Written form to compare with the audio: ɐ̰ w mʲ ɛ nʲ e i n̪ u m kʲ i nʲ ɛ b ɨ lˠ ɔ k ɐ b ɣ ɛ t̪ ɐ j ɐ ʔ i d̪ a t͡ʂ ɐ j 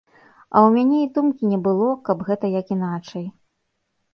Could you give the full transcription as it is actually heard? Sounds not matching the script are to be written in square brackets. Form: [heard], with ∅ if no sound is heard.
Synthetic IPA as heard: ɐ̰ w mʲ [a] nʲ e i [d̪] u m kʲ i nʲ ɛ b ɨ lˠ ɔ k ɐ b ɣ ɛ t̪ ɐ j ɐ [k] i [n̪] a t͡ʂ ɐ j